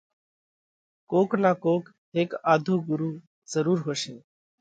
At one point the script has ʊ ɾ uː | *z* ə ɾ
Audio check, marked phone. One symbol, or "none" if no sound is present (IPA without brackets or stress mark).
z